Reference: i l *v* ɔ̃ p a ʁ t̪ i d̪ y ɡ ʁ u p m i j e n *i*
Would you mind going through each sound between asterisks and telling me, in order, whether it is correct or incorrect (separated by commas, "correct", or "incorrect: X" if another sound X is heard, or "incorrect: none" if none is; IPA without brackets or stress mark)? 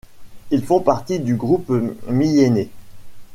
incorrect: f, incorrect: e